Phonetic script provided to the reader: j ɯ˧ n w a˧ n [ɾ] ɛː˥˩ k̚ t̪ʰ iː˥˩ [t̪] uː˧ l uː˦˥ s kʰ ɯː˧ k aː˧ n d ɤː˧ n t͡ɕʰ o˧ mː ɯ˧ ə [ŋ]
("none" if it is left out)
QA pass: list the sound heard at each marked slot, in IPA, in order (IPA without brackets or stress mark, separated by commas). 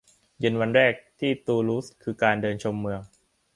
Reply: ɾ, t̪, ŋ